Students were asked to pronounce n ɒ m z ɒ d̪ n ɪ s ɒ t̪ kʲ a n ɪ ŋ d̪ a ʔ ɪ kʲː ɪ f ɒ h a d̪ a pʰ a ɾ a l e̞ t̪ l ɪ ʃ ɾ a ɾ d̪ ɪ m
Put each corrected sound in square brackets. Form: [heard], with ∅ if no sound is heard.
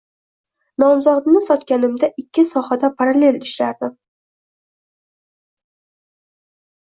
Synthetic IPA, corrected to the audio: n ɒ m z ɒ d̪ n ɪ s ɒ t̪ kʲ a n ɪ [m] d̪ a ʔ ɪ kʲː ɪ [s] ɒ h a d̪ a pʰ a ɾ a l e̞ [∅] l ɪ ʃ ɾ a ɾ d̪ ɪ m